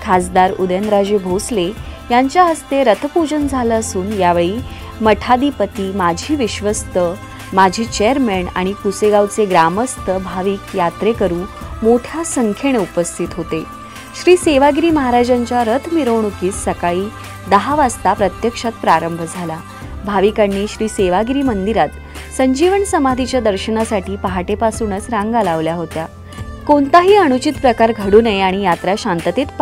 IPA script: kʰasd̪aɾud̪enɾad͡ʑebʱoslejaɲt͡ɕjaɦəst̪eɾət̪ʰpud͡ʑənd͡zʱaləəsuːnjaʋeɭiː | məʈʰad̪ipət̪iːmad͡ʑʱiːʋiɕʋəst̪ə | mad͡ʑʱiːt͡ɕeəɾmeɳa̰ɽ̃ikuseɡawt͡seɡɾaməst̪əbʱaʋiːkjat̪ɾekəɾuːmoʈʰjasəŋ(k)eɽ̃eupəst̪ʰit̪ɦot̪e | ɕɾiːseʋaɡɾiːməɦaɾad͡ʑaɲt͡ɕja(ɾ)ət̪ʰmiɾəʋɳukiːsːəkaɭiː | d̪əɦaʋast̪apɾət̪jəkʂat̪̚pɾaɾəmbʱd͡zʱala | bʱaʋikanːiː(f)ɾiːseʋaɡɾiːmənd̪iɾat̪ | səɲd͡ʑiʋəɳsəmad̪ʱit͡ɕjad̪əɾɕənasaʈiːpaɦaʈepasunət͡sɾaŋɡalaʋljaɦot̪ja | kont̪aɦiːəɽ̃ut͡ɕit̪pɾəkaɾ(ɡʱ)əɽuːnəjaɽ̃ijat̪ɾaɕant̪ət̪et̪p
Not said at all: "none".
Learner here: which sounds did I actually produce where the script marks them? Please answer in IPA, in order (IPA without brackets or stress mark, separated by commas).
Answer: kʰ, ɾ, ɕ, ɡʱ